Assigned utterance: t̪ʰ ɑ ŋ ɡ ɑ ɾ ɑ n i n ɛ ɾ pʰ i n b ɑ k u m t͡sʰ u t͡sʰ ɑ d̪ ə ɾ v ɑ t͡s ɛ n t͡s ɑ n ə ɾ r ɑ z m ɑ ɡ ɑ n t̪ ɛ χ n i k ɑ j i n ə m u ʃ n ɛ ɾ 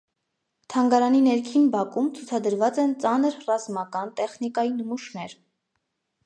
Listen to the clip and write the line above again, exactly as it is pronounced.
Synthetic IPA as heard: t̪ʰ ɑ ŋ ɡ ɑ ɾ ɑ n i n ɛ ɾ kʰ i n b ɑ k u m t͡sʰ u t͡sʰ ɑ d̪ ə ɾ v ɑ t͡s ɛ n t͡s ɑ n ə ɾ r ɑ z m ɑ k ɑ n t̪ ɛ χ n i k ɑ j i n ə m u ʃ n ɛ ɾ